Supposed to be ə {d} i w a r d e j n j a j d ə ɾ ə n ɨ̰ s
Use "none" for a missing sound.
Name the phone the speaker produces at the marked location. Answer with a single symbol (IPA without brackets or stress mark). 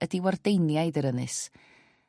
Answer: d